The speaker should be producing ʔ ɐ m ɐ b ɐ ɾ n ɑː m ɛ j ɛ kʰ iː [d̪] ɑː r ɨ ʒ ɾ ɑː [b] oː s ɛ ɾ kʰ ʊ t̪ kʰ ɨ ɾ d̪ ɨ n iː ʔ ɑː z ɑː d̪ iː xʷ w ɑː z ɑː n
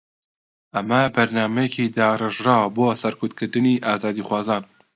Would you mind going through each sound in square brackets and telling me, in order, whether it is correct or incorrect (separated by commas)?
correct, correct